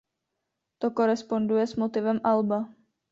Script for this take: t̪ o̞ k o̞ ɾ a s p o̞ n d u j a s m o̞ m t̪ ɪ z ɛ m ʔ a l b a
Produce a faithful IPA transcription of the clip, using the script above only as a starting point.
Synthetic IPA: t̪ o̞ k o̞ ɾ ɛ s p o̞ n d u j ɛ s m o̞ t̪ ɪ v ɛ m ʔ a l b a